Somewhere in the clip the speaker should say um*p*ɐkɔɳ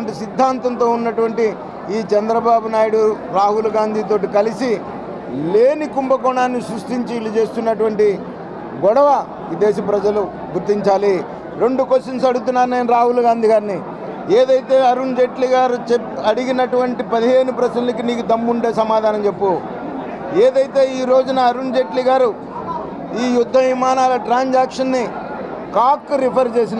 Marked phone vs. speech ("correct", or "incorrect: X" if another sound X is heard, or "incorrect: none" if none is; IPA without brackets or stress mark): incorrect: b